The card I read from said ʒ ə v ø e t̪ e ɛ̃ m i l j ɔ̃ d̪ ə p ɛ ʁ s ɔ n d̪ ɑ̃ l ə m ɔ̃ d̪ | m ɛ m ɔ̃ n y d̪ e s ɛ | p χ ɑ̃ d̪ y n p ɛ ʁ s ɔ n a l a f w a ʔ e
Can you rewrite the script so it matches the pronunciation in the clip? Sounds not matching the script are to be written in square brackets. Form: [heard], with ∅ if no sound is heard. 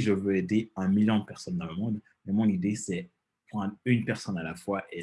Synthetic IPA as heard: ʒ ə v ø e [d̪] e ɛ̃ m i l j ɔ̃ d̪ ə p ɛ ʁ s ɔ n d̪ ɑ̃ l ə m ɔ̃ d̪ | m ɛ m ɔ̃ n [i] d̪ e s ɛ | p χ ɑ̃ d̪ y n p ɛ ʁ s ɔ n a l a f w a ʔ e